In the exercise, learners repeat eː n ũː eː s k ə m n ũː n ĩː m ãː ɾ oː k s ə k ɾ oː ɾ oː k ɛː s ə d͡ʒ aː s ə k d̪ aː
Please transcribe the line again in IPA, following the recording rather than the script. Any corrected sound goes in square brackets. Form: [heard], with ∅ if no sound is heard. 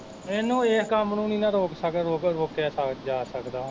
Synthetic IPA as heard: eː n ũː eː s k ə m n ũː n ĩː [n] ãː ɾ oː k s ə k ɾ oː ɾ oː k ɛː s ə d͡ʒ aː s ə k d̪ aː